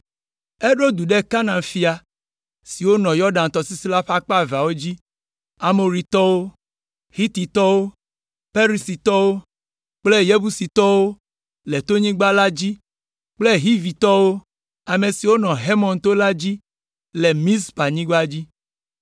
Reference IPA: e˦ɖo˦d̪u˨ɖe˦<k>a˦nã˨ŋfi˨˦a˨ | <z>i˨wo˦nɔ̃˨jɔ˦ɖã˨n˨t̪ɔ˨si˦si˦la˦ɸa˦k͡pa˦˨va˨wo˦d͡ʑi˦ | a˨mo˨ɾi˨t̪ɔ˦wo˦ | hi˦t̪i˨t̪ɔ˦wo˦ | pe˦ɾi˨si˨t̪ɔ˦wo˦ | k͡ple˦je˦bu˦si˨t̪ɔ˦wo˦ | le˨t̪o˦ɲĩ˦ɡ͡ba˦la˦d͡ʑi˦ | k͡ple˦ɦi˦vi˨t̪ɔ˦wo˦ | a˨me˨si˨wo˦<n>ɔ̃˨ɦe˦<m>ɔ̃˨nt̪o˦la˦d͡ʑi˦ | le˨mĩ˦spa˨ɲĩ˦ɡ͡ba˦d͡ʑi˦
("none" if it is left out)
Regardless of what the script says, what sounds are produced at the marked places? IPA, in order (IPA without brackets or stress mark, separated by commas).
k, s, n, m